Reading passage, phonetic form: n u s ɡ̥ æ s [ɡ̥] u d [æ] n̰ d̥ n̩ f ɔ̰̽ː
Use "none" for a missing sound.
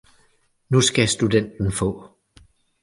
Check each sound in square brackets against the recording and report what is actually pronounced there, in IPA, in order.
d̥, e

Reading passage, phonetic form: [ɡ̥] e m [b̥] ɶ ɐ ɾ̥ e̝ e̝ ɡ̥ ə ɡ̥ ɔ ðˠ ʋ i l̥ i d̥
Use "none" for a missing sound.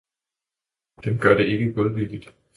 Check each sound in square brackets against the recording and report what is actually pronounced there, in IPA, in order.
d̥, ɡ̥

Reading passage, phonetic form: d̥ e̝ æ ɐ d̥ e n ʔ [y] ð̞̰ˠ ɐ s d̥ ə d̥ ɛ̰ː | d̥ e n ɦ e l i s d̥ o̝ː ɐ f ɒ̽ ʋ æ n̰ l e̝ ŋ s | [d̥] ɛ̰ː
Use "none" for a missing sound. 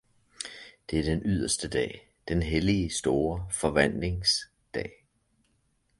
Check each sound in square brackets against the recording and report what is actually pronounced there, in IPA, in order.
y, d̥

